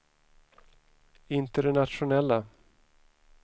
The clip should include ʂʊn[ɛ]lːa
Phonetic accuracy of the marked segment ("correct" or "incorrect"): correct